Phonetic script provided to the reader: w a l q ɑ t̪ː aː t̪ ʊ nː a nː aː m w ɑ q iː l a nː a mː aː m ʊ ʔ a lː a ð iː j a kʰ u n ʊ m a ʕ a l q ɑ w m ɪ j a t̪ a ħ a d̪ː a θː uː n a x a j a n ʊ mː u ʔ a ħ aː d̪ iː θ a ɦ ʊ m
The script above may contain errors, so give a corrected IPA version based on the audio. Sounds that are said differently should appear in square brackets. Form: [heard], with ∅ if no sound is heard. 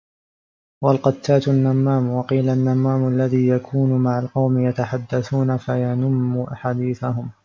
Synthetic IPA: w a l q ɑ t̪ː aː t̪ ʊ nː a [mː] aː m w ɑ q iː l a nː a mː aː m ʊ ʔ a lː a ð iː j a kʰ [uː] n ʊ m a ʕ a l q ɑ w m ɪ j a t̪ a ħ a d̪ː a [θ] uː n a [f] a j a n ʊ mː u ʔ a ħ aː d̪ iː θ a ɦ ʊ m